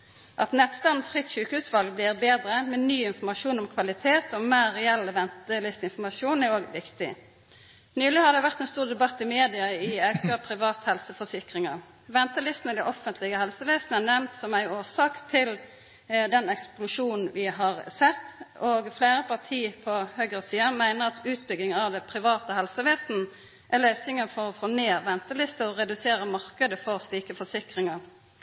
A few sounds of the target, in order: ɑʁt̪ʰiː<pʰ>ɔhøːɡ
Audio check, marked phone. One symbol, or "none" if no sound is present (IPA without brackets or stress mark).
pʰ